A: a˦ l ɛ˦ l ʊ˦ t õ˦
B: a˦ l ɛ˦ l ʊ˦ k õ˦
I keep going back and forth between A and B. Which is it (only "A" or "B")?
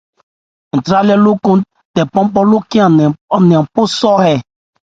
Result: B